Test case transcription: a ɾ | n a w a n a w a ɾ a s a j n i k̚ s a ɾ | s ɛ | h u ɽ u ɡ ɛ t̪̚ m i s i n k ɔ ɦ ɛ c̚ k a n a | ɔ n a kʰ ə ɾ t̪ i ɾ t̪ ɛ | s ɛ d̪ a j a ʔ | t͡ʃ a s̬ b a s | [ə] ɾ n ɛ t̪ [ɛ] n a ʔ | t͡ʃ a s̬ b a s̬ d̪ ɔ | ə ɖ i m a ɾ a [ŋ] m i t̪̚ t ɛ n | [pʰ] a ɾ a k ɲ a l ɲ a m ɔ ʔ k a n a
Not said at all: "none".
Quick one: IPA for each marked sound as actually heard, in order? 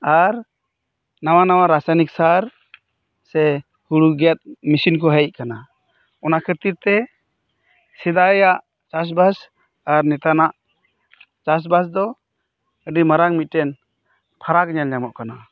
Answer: a, a, ŋ, pʰ

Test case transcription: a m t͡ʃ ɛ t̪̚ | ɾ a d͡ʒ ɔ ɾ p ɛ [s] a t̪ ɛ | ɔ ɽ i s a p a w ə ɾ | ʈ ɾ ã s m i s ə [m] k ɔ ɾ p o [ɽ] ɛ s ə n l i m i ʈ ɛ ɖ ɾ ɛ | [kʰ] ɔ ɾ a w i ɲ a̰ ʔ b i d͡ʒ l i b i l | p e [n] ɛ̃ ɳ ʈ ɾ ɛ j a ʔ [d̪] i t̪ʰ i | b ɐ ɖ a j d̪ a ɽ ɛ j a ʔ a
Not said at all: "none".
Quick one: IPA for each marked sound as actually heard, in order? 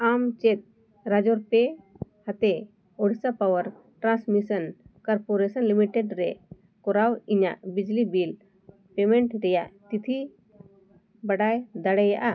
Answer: h, n, ɾ, k, m, t̪

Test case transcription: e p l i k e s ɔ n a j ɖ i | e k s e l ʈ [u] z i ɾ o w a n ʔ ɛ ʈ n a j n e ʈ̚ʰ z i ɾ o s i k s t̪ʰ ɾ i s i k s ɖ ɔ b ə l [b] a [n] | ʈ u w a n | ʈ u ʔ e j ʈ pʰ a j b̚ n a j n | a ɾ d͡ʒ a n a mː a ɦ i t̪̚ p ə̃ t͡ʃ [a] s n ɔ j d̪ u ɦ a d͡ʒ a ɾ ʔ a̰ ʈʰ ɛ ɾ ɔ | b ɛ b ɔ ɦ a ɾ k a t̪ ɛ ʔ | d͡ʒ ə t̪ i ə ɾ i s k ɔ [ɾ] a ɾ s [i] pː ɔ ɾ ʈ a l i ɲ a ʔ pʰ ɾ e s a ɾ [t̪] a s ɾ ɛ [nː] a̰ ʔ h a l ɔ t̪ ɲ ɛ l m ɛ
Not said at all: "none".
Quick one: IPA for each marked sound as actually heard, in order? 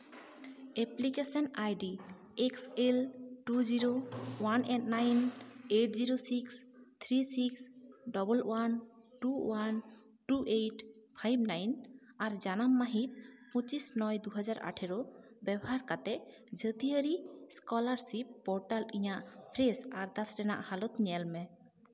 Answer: u, w, n, i, l, i, d̪, n

